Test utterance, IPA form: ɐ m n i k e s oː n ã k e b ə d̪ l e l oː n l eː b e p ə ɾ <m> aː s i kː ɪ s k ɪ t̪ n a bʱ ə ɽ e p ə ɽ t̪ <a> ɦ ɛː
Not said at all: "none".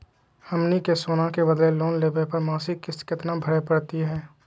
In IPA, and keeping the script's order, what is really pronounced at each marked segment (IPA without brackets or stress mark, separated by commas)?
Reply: m, i